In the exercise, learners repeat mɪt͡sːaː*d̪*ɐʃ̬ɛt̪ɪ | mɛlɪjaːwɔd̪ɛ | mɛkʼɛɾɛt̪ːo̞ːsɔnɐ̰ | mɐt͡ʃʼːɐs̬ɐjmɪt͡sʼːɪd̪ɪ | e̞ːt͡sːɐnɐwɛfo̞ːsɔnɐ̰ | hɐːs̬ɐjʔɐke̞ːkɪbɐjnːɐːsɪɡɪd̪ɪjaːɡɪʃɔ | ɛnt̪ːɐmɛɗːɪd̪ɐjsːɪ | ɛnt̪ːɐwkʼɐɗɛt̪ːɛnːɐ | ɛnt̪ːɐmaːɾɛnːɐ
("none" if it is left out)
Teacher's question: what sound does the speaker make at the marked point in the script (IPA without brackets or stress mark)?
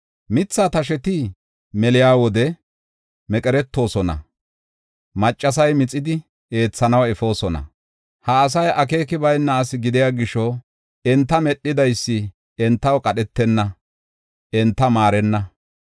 t̪